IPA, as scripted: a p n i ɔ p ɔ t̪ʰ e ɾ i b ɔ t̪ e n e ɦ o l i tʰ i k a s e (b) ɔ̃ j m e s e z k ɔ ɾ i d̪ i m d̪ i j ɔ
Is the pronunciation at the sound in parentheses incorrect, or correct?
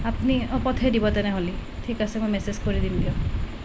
incorrect